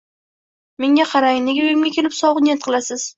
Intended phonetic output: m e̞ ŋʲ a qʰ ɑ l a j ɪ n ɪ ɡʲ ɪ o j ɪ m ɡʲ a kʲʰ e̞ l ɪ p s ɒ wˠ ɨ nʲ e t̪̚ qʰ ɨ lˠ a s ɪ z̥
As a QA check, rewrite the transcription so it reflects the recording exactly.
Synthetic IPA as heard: m e̞ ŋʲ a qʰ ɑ ɾ a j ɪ n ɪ ɡʲ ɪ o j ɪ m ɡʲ a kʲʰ e̞ l ɪ p s ɒ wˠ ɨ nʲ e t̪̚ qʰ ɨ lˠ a s ɪ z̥